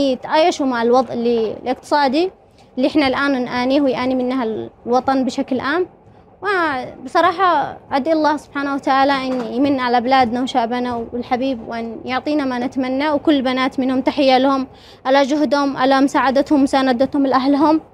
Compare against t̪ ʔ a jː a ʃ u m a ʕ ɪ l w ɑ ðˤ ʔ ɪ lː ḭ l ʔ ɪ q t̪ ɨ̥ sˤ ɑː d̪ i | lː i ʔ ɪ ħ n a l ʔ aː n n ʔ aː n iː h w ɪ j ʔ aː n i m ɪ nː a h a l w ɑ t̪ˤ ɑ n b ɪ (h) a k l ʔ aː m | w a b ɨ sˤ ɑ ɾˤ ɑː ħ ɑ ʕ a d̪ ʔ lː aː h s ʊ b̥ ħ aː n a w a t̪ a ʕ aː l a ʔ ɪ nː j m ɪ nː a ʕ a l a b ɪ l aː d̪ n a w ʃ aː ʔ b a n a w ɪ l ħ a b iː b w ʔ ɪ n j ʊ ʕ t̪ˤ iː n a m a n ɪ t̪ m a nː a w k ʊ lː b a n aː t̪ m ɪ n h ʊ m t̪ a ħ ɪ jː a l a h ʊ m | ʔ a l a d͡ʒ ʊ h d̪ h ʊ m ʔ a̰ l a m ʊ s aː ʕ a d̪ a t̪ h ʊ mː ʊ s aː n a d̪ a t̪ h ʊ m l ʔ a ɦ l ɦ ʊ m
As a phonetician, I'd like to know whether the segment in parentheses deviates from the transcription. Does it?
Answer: yes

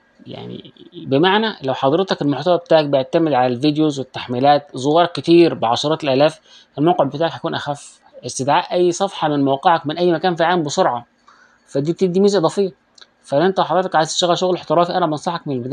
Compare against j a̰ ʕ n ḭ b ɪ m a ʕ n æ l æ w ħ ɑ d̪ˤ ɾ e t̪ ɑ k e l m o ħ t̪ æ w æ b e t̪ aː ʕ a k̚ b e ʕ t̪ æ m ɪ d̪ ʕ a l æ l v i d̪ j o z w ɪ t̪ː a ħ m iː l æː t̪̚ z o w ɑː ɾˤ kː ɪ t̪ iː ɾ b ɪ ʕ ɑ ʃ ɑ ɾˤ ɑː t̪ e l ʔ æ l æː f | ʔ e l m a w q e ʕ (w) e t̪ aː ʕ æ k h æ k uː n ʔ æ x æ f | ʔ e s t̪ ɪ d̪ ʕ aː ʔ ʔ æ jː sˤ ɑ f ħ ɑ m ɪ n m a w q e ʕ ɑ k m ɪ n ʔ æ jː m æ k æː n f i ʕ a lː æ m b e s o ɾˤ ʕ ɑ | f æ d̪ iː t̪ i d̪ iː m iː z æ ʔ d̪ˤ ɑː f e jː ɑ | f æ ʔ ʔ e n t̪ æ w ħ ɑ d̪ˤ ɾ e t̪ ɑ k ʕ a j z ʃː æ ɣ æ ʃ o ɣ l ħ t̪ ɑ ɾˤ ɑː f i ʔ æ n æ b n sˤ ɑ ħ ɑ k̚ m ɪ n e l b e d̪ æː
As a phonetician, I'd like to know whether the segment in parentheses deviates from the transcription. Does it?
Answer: yes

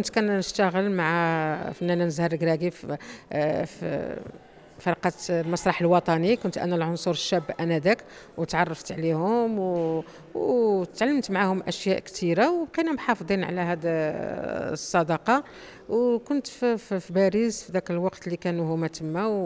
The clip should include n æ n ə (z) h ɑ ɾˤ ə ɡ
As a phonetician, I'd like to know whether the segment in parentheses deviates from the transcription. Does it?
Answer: no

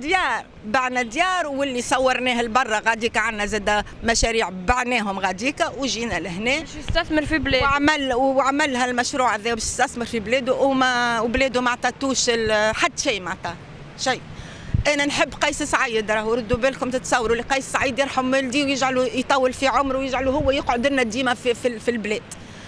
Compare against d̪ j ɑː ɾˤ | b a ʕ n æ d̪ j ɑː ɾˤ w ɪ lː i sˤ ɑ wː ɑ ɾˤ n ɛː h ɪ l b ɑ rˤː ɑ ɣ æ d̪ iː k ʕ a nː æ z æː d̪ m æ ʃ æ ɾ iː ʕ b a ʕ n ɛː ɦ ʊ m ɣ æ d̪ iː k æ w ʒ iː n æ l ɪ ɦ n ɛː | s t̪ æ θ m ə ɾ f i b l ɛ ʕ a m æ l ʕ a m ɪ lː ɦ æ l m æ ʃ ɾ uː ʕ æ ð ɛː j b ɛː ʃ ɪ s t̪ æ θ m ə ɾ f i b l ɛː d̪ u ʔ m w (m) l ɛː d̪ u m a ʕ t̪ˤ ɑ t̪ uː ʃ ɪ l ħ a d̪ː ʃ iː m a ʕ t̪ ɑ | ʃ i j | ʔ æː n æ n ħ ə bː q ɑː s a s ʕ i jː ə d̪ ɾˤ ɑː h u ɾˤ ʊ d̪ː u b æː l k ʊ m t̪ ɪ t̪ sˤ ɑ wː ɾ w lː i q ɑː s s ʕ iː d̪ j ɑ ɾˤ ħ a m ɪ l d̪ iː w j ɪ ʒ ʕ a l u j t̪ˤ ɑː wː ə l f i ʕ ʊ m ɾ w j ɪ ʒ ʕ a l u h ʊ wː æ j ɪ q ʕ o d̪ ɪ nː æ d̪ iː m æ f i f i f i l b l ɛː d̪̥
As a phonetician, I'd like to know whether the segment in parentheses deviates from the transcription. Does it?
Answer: yes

